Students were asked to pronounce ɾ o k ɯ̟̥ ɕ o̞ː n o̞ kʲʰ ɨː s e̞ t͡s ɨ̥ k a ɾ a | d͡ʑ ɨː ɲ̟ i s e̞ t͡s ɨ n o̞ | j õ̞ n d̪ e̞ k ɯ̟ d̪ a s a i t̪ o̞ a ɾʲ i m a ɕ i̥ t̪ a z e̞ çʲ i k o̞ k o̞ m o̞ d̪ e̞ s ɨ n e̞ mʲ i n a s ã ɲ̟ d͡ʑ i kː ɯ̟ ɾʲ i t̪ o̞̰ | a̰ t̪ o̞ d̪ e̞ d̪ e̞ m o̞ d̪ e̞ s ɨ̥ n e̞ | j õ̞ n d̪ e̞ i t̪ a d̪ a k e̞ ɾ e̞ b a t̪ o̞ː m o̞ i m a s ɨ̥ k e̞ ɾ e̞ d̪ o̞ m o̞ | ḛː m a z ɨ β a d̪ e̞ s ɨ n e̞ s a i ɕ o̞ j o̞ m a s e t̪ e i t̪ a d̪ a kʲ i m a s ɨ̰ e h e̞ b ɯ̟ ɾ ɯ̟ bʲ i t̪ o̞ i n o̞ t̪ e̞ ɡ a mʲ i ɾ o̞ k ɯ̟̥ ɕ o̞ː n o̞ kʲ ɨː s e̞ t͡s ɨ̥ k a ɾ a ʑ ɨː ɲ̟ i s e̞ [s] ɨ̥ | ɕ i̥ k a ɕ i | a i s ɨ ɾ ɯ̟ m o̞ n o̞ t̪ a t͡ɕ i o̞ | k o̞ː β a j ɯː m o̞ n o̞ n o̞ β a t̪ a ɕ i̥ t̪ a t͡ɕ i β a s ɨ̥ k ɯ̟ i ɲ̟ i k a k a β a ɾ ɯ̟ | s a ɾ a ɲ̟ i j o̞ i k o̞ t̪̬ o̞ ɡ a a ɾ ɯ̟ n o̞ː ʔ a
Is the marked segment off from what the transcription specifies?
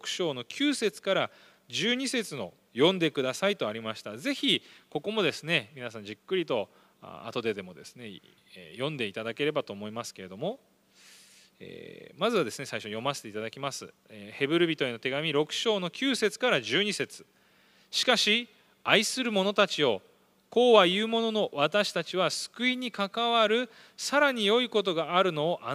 yes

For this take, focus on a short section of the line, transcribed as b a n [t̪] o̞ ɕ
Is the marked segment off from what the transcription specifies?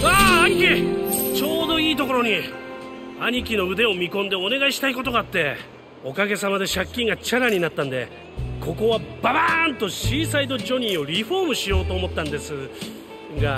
no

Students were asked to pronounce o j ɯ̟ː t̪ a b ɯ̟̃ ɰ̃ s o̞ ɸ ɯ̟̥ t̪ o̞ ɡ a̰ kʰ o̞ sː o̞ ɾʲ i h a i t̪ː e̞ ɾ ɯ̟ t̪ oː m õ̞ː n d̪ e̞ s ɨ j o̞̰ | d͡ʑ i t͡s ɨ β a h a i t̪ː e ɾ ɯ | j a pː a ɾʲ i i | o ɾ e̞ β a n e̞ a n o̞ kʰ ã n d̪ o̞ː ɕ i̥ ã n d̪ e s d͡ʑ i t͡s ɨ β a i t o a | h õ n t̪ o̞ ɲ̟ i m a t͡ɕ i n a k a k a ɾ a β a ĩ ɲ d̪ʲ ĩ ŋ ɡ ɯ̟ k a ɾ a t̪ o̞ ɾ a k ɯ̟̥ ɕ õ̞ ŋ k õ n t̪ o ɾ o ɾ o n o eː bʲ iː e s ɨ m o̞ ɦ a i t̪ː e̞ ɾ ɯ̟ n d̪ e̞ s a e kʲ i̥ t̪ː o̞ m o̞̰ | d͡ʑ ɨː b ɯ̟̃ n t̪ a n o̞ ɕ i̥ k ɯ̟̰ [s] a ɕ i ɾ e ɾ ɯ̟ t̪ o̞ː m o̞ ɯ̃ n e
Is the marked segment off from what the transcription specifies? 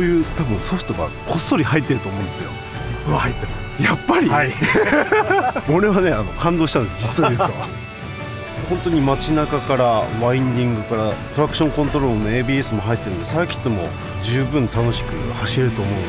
yes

